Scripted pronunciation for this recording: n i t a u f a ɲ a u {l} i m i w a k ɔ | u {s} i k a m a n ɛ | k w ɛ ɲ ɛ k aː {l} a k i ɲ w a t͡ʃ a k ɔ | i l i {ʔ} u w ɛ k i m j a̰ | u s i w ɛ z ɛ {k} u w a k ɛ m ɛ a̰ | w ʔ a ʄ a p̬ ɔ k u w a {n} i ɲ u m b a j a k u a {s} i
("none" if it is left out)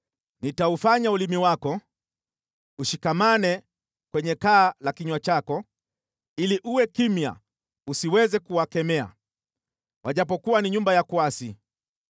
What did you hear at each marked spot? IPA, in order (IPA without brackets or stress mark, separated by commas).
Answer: l, ʃ, l, ʔ, k, n, s